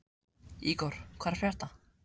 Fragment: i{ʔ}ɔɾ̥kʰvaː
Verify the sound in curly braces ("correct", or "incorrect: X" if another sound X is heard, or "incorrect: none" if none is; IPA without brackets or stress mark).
incorrect: k